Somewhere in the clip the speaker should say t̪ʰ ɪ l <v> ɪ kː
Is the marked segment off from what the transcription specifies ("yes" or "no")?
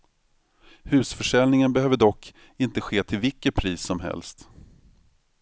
no